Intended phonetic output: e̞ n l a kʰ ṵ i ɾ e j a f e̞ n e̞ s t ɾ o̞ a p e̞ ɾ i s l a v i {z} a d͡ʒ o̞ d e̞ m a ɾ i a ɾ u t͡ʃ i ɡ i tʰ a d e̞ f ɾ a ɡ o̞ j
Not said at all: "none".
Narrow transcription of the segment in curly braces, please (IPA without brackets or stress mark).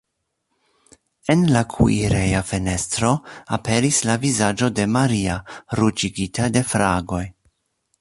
z